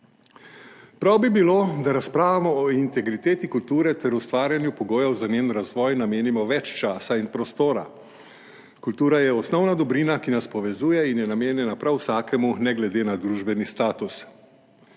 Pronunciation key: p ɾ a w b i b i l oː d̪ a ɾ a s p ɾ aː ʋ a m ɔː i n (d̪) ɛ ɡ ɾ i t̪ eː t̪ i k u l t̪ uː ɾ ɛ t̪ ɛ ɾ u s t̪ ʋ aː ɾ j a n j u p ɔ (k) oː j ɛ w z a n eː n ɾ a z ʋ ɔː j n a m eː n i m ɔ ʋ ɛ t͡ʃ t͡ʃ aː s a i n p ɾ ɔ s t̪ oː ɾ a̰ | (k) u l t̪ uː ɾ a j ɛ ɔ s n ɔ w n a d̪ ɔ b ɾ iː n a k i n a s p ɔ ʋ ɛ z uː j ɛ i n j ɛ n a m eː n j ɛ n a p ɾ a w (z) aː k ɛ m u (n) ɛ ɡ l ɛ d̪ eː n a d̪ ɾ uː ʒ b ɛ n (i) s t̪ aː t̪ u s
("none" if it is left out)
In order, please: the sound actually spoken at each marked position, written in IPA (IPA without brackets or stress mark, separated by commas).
t̪, ɡ, k, s, n, i